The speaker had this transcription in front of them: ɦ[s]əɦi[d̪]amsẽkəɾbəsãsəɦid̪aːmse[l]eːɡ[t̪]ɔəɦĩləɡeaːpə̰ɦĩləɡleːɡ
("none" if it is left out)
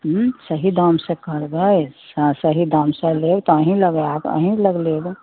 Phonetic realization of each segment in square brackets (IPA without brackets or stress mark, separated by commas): s, d̪, l, t̪